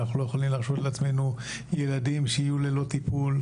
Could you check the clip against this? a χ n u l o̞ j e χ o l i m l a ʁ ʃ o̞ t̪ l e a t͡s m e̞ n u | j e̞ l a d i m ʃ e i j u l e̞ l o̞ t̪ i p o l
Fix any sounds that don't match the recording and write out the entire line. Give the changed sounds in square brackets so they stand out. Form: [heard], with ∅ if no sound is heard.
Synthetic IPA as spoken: a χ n u l o̞ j e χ o l i m l a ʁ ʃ o̞ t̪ l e a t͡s m e̞ n u | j e̞ l a d i m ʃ e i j u l e̞ l o̞ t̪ i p [u] l